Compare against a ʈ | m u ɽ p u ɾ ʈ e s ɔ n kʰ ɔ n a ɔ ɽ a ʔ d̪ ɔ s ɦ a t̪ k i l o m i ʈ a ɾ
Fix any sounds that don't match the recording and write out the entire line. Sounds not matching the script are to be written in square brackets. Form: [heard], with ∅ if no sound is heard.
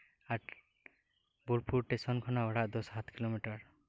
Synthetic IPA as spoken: a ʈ | [b] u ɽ p u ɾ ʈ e s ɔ n kʰ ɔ n a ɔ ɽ a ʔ d̪ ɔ s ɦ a t̪ k i l o m i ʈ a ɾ

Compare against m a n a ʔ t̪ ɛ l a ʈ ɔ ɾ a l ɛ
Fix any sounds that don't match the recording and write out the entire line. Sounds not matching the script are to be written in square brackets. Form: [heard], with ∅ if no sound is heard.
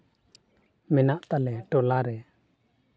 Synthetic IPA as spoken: m [ɛ] n a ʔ t̪ [a] l [ɛ] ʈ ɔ [l] a [ɾ] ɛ

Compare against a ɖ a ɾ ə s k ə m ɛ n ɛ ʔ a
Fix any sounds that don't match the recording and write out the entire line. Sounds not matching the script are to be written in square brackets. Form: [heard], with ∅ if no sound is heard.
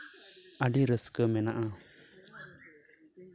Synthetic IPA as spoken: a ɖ [i] ɾ ə s k ə m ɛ n [a] ʔ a

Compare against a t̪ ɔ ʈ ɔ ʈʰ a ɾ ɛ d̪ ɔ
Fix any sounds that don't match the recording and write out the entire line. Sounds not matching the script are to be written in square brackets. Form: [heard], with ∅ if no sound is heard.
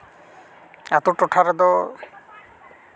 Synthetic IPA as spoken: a t̪ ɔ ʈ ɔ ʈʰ a ɾ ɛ d̪ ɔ

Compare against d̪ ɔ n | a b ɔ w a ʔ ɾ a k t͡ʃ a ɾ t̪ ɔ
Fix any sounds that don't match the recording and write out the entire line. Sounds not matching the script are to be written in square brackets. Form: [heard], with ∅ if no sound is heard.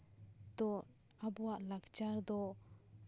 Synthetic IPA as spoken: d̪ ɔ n | a b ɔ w a ʔ [l] a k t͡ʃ a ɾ [d̪] ɔ

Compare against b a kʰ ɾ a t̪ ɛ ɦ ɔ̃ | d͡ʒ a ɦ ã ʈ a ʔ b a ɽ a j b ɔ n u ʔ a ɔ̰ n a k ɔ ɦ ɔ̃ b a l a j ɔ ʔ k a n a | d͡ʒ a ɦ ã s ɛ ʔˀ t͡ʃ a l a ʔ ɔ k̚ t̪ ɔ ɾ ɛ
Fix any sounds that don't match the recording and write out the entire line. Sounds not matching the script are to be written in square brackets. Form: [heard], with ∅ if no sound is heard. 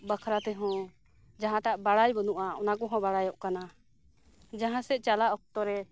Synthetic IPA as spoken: b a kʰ ɾ a t̪ ɛ ɦ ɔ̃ | d͡ʒ a ɦ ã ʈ a ʔ b a ɽ a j b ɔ n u ʔ a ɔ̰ n a k ɔ ɦ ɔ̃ b a [ɽ] a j ɔ ʔ k a n a | d͡ʒ a ɦ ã s ɛ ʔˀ t͡ʃ a l a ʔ ɔ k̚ t̪ ɔ ɾ ɛ

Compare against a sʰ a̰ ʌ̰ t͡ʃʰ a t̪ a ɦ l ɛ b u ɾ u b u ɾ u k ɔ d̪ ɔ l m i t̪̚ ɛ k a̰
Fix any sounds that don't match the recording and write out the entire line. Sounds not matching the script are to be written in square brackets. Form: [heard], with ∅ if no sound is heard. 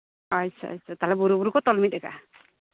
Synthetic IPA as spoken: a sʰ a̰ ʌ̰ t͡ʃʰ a t̪ a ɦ l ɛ b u ɾ u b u ɾ u k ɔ [t̪] ɔ l m i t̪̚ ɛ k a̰

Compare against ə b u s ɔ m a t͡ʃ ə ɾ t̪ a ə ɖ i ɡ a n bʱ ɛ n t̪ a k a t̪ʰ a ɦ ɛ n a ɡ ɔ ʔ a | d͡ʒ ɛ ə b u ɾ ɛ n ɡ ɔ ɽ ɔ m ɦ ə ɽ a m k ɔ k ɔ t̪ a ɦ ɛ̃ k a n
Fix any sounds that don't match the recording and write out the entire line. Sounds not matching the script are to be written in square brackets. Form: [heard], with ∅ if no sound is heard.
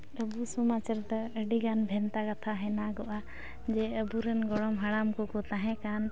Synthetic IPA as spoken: ə b u s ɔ m a t͡ʃ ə ɾ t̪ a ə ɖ i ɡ a n bʱ ɛ n t̪ a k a t̪ʰ a ɦ ɛ n a ɡ ɔ ʔ a | d͡ʒ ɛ ə b u ɾ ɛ n ɡ ɔ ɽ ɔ m ɦ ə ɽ a m k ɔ k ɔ t̪ a ɦ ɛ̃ k a n

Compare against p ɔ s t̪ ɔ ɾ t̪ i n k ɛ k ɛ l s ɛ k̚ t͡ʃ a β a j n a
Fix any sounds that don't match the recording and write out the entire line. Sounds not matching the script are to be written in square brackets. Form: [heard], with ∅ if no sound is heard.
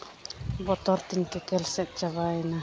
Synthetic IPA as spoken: [b] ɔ [∅] t̪ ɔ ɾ t̪ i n k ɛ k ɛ l s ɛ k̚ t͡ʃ a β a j n a

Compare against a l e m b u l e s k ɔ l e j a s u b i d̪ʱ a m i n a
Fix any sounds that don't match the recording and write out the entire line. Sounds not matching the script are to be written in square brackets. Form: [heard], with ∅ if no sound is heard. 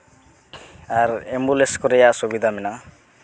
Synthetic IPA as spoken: a [ɾ] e m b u l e s k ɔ [ɾ] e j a s u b i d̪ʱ a m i n a

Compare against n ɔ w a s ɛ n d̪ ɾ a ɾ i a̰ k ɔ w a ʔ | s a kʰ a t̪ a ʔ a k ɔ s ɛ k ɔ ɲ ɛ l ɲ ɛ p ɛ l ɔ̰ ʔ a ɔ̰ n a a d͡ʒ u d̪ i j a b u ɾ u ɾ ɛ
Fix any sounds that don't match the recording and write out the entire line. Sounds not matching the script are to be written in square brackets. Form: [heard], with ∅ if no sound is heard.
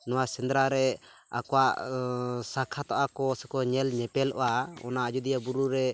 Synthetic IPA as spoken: n ɔ w a s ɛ n d̪ ɾ a ɾ [ɛ] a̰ k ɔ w a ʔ | s a kʰ a t̪ a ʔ a k ɔ s ɛ k ɔ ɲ ɛ l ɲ ɛ p ɛ l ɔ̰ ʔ a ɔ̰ n a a d͡ʒ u d̪ i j a b u ɾ u ɾ ɛ

